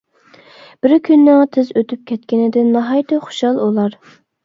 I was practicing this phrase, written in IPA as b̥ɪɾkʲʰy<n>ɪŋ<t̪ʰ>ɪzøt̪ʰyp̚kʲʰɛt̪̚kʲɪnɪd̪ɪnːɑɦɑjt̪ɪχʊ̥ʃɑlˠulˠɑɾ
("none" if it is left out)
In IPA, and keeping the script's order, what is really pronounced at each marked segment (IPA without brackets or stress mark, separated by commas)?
nː, t̪ʰ